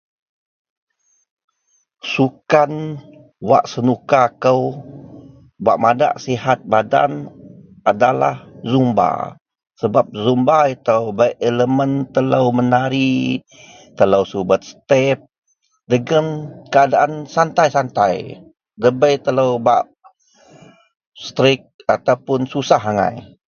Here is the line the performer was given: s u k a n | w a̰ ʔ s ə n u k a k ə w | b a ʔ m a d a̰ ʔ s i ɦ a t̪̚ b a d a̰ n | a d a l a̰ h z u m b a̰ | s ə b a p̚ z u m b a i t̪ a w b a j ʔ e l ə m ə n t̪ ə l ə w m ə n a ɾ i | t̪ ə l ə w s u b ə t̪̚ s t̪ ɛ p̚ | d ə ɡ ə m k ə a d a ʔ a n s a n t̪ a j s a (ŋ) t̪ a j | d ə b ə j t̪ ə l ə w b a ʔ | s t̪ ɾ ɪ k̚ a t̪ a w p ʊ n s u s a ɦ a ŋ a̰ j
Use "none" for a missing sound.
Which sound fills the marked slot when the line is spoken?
n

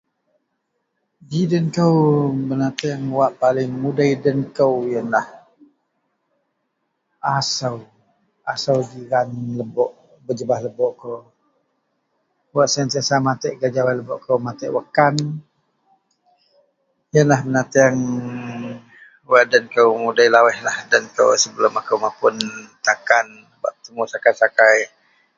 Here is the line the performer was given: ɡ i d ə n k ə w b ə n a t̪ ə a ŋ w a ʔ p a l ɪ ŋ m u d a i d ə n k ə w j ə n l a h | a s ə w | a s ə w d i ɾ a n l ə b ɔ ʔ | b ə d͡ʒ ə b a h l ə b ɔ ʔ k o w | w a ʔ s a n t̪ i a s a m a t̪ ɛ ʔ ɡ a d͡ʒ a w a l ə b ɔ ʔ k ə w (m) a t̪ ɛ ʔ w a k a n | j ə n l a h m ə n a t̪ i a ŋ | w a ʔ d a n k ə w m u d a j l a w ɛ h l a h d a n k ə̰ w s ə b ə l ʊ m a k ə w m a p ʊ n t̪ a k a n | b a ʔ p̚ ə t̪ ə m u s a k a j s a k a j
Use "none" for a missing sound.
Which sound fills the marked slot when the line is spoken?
m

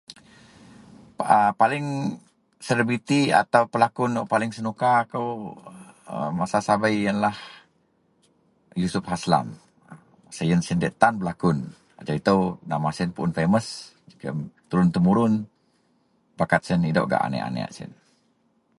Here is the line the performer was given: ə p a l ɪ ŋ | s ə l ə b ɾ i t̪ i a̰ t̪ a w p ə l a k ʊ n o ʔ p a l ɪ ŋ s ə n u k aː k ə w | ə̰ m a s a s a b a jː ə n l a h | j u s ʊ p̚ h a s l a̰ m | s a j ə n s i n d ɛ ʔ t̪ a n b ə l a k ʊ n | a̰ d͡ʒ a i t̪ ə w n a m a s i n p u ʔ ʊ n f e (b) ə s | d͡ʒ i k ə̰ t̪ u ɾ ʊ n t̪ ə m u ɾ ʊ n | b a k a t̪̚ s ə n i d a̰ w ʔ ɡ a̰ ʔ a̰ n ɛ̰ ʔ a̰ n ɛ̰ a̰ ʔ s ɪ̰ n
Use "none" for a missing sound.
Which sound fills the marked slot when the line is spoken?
m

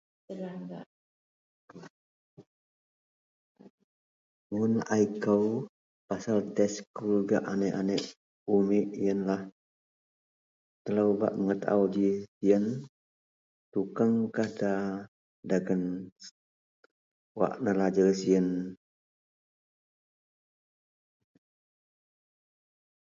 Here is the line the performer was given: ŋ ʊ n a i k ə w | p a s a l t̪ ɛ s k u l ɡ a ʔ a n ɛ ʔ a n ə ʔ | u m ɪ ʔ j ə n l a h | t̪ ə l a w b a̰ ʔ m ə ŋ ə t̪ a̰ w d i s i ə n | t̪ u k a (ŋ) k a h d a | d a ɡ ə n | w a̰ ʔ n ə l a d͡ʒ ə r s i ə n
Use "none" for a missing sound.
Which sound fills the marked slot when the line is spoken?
ŋ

